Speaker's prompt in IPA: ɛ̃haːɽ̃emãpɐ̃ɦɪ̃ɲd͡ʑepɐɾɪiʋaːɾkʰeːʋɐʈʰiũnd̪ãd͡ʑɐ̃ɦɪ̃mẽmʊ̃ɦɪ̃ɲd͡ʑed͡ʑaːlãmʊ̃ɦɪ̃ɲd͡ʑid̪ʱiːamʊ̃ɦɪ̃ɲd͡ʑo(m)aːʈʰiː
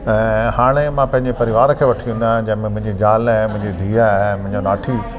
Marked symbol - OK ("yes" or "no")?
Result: no